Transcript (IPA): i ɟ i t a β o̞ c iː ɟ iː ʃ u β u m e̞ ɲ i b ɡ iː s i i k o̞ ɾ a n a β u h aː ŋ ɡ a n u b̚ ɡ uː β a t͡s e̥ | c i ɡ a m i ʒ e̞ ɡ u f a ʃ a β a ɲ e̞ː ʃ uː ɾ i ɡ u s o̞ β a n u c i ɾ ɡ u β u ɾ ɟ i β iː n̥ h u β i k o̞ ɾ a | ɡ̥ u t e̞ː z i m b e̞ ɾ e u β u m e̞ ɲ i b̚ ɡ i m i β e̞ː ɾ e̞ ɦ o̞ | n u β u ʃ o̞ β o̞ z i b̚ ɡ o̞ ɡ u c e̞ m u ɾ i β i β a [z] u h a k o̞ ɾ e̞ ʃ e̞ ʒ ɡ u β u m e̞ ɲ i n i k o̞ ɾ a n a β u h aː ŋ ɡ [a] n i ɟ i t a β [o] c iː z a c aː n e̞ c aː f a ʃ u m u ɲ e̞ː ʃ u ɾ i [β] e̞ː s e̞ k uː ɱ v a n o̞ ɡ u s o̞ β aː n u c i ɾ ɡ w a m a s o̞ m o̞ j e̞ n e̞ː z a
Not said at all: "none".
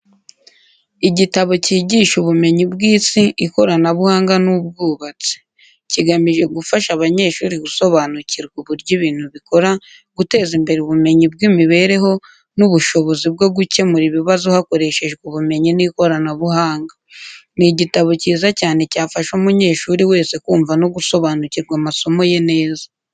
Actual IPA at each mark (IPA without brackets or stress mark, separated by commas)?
z, a, o, w